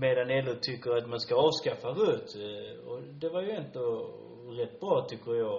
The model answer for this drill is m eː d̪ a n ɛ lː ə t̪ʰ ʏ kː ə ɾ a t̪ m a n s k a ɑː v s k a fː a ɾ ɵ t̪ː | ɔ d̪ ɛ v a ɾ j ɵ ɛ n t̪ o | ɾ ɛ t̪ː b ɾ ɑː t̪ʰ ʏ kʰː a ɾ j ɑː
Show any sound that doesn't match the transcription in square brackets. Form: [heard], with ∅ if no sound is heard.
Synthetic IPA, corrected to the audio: m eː d̪ a n ɛ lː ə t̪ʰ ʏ kː ə ɾ a t̪ m a n s k a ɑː v s k a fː a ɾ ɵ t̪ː | ɔ d̪ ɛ v a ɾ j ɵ ɛ n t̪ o | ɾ ɛ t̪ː b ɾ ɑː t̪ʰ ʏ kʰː [ə] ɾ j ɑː